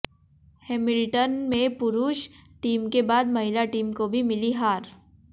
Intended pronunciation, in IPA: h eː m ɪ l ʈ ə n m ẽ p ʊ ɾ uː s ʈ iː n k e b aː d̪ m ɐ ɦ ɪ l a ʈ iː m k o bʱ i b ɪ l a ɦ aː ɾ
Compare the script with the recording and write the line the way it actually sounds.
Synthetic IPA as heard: h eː m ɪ l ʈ ə n m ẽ p ʊ ɾ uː ʃ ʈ iː m k e b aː d̪ m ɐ ɦ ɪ l a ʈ iː m k o bʱ i m ɪ l i ɦ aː ɾ